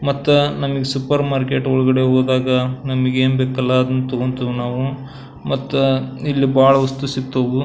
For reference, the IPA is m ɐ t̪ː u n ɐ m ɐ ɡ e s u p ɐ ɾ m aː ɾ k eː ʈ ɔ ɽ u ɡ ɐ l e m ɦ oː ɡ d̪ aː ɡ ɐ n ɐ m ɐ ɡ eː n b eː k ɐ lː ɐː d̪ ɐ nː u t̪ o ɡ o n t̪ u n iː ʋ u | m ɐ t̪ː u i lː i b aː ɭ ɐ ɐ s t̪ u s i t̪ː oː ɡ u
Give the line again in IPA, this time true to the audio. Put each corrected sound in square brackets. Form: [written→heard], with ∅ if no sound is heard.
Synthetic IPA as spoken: m ɐ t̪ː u n ɐ m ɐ ɡ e s u p ɐ ɾ m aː ɾ k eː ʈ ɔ [ɽ→ɭ] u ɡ ɐ [l→ɽ] e [m→∅] ɦ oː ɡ d̪ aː ɡ ɐ n ɐ m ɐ ɡ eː n b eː k ɐ lː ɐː d̪ ɐ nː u t̪ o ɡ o n t̪ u n [iː→aː] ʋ u | m ɐ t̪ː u i lː i b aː ɭ ɐ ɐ s t̪ u s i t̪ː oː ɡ u